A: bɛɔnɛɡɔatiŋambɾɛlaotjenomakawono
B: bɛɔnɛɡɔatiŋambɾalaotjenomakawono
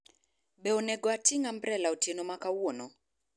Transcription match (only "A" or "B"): A